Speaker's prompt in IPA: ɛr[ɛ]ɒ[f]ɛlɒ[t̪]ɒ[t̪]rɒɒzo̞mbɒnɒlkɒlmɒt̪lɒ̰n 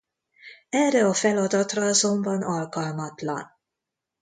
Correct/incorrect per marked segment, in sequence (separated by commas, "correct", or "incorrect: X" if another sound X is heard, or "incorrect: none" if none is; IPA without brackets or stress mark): correct, correct, incorrect: d̪, correct